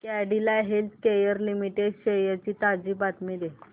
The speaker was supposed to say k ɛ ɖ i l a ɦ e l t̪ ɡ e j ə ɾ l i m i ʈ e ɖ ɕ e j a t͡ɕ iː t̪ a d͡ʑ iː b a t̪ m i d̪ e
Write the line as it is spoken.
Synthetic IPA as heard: k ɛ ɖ i l a ɦ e l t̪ k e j ə ɾ l i m i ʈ e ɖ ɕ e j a t͡ɕ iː t̪ a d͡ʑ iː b a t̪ m i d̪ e